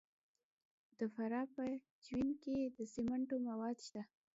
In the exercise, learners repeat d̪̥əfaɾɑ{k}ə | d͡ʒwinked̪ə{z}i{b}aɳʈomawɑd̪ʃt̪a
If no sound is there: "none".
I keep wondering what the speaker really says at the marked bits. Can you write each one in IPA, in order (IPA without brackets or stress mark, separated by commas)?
p, s, m